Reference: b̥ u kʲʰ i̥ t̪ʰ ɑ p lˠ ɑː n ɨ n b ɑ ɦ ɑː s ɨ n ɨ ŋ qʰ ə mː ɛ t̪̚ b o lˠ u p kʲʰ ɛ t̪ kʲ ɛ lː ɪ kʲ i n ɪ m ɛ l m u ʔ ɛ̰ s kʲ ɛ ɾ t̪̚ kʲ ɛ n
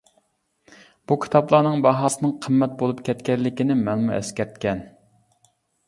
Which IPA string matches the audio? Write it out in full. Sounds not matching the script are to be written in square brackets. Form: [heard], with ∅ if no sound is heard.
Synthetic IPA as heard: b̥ u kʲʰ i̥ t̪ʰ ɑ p lˠ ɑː n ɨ [ŋ] b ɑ ɦ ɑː s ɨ n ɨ ŋ qʰ ə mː ɛ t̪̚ b o lˠ u p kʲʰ ɛ t̪ kʲ ɛ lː ɪ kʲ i n ɪ m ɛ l m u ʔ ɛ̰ s kʲ ɛ ɾ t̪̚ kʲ ɛ n